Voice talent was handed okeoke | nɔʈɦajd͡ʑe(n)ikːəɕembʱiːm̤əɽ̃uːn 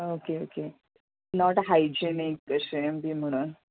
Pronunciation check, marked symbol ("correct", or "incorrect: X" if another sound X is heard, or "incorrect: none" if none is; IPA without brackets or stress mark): correct